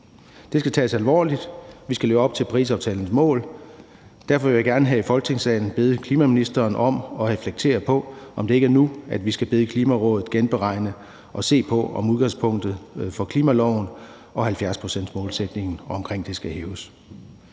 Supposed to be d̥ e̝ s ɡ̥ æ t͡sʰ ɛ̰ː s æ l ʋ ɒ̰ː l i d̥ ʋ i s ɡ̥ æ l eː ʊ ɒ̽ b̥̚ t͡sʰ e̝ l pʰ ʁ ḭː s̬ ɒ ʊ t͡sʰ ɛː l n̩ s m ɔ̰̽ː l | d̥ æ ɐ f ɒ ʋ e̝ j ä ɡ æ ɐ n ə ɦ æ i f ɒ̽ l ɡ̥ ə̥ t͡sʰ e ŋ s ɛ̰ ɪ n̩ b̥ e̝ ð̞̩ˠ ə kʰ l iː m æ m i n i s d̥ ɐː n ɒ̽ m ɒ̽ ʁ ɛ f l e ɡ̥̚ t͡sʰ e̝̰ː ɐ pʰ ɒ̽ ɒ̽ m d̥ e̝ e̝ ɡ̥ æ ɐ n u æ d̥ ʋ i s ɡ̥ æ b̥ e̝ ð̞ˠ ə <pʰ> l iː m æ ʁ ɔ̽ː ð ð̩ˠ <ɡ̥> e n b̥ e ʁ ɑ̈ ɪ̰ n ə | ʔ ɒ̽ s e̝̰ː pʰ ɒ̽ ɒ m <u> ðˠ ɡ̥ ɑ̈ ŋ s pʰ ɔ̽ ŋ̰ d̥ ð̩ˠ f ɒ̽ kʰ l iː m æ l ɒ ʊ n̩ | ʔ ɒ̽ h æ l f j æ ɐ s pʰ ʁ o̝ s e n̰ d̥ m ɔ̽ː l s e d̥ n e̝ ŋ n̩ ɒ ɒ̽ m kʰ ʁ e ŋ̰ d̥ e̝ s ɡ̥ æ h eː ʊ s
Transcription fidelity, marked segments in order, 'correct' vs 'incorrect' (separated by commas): incorrect, correct, correct